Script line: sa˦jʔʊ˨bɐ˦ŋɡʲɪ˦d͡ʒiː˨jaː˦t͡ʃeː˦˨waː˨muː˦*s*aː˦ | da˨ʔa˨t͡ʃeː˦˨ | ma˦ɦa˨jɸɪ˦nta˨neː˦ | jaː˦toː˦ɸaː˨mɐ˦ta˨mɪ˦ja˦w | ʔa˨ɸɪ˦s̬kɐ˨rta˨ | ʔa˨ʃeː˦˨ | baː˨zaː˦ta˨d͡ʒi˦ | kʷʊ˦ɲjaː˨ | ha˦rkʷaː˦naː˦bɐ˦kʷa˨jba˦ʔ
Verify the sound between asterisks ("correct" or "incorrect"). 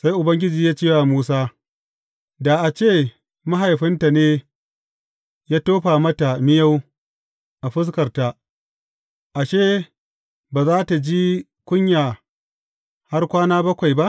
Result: correct